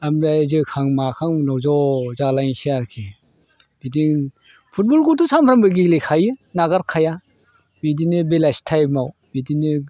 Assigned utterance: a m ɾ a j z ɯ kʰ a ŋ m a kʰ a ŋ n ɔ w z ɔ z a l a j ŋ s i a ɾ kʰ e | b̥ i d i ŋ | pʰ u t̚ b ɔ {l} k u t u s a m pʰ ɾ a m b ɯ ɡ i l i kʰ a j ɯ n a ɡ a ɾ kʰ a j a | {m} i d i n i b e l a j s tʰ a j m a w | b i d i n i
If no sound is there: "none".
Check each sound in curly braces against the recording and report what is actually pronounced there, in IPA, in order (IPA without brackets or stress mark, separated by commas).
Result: l, b